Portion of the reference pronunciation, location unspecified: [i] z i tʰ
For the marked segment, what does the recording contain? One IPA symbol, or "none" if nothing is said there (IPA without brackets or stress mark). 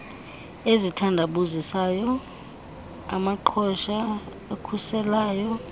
e